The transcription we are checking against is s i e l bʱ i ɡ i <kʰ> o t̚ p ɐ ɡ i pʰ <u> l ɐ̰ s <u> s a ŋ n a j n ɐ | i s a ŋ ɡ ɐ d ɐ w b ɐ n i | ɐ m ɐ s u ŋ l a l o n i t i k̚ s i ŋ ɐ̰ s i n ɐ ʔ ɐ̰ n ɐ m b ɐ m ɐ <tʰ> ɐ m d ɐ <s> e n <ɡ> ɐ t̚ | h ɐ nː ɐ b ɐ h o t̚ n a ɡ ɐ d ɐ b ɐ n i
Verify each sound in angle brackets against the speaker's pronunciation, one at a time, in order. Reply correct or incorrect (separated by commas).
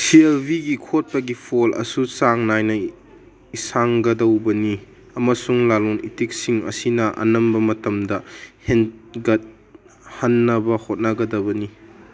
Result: correct, incorrect, correct, incorrect, incorrect, correct